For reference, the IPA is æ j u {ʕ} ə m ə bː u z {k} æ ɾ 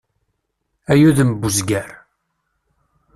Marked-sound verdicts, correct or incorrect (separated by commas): incorrect, incorrect